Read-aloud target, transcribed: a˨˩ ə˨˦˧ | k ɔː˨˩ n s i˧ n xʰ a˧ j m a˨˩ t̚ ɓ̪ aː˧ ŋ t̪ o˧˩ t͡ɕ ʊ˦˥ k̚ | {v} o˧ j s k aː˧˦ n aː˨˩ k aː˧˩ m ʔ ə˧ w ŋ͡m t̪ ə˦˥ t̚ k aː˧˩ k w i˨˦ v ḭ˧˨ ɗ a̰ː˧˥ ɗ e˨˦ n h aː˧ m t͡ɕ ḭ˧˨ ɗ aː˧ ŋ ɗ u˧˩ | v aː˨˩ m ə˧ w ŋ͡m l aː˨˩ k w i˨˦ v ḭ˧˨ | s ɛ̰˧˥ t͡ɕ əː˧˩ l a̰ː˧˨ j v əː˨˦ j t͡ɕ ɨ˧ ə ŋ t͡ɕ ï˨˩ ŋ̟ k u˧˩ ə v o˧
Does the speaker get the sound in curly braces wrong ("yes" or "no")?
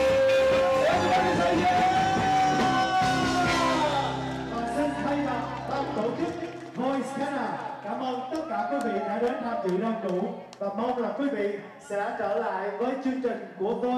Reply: no